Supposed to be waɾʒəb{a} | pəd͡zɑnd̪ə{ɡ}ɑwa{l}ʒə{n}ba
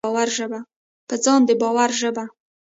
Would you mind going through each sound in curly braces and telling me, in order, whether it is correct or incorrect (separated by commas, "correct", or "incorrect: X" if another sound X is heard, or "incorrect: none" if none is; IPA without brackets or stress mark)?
correct, incorrect: b, incorrect: ɾ, incorrect: none